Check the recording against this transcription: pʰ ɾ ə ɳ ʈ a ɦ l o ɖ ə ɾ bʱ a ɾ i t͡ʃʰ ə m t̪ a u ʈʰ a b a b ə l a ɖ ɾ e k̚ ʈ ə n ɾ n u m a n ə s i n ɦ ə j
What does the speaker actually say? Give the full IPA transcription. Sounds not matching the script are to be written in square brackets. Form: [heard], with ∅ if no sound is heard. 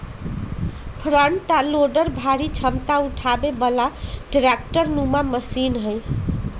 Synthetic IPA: pʰ ɾ ə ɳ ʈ a [∅] l o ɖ ə ɾ bʱ a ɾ i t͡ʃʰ ə m t̪ a u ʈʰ a b [e] b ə l a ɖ ɾ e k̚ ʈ ə [∅] ɾ n u m a [m] ə s i n ɦ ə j